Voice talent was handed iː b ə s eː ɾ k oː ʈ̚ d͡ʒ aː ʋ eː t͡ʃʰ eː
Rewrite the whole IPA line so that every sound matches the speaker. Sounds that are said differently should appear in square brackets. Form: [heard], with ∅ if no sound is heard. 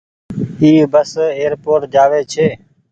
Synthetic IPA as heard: iː b ə s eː ɾ [p] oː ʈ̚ d͡ʒ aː ʋ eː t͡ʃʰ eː